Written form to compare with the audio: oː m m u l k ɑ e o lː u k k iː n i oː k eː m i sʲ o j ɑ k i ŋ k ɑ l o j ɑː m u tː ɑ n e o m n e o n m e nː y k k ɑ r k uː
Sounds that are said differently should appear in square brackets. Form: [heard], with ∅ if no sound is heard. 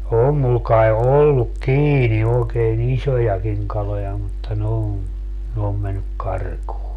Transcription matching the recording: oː m m u l k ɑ e o lː u k k iː n i oː k eː [n] i sʲ o j ɑ k i ŋ k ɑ l o j [ɑ] m u tː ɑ n e o m n e o [m] m e nː y k k ɑ r k uː